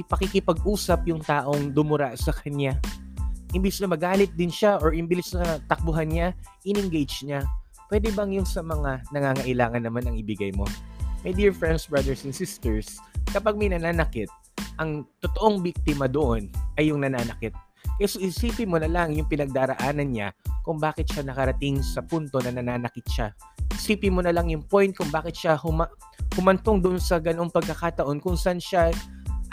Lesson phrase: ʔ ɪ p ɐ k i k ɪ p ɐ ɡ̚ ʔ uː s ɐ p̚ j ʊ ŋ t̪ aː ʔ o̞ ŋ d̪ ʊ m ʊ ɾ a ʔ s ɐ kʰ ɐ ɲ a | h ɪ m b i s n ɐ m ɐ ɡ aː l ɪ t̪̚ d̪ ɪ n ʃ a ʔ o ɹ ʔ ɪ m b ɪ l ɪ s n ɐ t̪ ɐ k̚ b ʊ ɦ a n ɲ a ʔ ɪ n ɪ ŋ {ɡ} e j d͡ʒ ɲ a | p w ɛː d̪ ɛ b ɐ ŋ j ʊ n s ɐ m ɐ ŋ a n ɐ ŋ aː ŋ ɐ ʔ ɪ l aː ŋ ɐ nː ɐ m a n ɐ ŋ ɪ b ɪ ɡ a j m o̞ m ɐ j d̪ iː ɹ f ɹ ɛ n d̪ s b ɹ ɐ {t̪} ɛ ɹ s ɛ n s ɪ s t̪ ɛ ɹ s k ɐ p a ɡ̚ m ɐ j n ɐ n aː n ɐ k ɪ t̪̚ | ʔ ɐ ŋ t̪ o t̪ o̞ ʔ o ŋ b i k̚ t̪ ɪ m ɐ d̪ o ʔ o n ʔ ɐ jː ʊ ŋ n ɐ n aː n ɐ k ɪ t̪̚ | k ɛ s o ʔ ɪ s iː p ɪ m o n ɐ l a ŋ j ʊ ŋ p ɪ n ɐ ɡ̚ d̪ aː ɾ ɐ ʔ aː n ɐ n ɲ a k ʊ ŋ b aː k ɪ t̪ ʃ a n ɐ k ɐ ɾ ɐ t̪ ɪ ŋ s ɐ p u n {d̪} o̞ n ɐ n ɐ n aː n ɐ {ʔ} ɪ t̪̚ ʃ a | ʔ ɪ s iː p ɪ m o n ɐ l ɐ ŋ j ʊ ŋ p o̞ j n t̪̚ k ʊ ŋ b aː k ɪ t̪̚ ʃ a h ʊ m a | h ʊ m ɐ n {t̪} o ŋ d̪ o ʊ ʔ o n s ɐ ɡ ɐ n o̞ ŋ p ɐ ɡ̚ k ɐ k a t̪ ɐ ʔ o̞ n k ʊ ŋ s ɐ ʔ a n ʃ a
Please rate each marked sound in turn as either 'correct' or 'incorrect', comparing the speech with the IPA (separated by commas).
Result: correct, incorrect, incorrect, incorrect, correct